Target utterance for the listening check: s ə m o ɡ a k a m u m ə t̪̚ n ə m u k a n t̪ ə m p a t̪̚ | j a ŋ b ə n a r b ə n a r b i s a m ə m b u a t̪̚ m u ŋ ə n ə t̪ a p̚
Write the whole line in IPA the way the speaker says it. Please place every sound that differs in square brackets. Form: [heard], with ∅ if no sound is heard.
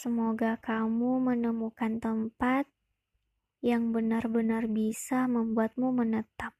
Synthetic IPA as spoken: s ə m o ɡ a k a m u m ə [∅] n ə m u k a n t̪ ə m p a t̪̚ | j a ŋ b ə n a r b ə n a r b i s a m ə m b u a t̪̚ m u [m] ə n ə t̪ a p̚